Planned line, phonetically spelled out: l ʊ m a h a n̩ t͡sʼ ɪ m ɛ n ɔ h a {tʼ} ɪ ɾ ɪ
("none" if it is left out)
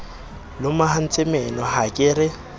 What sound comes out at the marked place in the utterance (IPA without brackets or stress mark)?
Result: kʼ